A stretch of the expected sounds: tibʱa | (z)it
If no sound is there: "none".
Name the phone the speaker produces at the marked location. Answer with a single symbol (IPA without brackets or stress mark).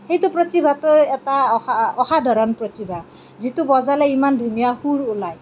z